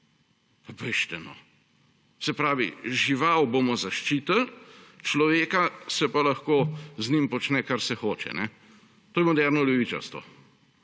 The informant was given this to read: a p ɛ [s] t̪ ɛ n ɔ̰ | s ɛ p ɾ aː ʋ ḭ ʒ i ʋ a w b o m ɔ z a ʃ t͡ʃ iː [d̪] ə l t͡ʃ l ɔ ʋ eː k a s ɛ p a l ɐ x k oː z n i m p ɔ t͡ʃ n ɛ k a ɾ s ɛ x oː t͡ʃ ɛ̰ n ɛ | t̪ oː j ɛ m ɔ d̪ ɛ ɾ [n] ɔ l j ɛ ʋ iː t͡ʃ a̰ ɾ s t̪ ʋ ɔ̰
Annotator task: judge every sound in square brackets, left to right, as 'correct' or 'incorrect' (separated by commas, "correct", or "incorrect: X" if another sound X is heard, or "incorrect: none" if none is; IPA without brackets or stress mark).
incorrect: ʃ, incorrect: t̪, correct